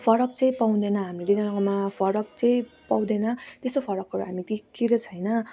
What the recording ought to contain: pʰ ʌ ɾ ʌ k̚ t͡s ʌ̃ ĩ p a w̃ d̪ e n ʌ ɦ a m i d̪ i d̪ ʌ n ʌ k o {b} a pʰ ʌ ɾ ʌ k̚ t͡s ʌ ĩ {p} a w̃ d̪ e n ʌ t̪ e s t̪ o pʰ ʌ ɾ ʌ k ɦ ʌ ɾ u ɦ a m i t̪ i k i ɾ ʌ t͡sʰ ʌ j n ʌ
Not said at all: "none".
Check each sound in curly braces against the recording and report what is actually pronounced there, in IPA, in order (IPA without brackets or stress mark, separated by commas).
m, p